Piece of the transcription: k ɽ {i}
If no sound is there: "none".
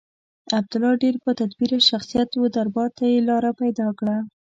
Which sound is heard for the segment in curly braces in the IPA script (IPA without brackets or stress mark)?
a